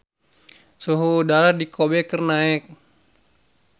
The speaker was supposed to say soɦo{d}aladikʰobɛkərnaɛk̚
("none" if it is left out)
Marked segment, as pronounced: d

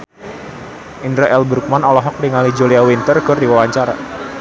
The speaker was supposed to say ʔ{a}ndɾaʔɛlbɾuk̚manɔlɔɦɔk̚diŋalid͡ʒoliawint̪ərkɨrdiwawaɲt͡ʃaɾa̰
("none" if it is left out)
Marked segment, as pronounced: i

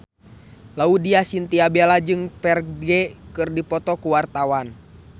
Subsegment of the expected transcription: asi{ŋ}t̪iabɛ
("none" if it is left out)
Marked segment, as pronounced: n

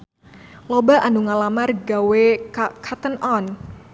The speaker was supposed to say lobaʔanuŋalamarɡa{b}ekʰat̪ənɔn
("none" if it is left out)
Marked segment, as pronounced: w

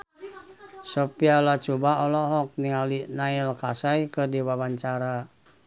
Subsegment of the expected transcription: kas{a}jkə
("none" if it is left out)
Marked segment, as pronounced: a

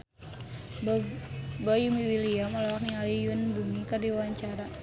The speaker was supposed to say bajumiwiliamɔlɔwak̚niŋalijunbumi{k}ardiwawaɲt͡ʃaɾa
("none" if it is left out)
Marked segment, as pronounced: k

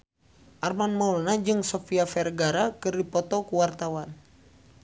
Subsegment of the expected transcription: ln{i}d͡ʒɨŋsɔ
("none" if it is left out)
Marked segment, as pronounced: a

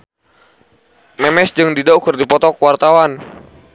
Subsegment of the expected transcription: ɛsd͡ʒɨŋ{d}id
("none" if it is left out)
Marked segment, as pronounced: d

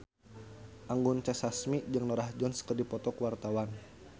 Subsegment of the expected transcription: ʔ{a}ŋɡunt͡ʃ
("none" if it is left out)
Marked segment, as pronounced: a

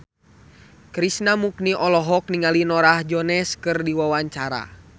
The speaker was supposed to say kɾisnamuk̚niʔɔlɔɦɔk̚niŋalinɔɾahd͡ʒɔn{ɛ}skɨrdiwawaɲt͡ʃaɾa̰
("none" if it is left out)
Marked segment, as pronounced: ɛ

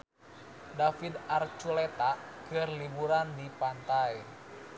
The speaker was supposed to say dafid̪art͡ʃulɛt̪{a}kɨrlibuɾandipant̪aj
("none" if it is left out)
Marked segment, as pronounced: a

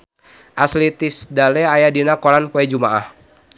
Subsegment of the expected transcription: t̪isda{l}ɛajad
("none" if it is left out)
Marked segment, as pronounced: l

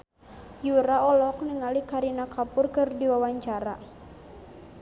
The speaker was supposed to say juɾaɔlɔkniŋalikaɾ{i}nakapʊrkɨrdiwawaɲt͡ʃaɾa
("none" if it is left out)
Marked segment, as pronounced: i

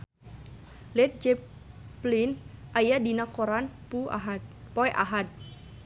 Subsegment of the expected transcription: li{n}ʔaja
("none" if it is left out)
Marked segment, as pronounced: n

